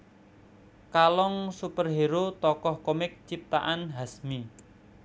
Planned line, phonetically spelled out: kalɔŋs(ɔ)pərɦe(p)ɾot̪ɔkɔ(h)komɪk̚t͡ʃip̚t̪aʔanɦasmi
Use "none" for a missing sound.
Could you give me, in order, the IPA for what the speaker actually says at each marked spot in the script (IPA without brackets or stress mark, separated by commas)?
u, none, h